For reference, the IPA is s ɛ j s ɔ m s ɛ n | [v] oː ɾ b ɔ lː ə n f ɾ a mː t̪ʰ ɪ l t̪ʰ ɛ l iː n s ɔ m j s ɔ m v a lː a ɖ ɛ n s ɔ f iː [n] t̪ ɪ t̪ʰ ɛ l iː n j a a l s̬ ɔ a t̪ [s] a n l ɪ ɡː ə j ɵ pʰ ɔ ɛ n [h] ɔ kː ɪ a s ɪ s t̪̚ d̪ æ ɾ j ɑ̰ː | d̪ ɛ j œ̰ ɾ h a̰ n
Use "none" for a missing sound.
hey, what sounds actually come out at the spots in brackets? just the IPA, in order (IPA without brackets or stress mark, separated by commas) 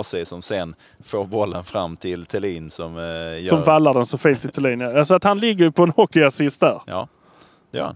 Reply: f, n, h, h